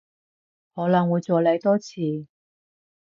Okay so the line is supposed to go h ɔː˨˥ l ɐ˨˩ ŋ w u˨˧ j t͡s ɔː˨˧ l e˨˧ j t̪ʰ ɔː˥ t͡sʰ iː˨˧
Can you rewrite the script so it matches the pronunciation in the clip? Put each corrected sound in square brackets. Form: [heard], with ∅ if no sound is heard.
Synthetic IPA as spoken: h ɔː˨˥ l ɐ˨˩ ŋ w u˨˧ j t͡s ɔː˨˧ l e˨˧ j [t̪] ɔː˥ t͡sʰ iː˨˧